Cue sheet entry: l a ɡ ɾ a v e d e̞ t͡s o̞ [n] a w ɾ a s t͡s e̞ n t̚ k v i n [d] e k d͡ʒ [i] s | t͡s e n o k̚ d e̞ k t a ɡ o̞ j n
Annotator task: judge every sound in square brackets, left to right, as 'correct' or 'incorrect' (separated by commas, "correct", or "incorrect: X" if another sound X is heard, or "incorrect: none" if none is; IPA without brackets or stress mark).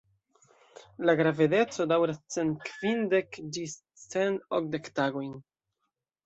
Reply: incorrect: d, correct, correct